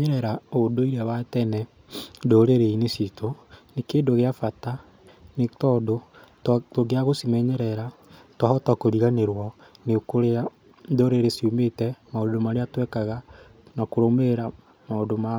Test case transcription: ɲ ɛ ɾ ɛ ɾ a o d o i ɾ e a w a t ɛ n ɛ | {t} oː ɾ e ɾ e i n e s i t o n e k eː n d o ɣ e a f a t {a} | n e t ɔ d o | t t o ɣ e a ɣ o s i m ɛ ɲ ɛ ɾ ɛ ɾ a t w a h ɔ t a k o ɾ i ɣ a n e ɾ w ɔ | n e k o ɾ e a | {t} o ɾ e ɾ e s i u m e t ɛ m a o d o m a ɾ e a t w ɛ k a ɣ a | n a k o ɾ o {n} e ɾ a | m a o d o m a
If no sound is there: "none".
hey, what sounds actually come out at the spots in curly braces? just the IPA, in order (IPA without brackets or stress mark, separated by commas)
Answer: d, a, d, m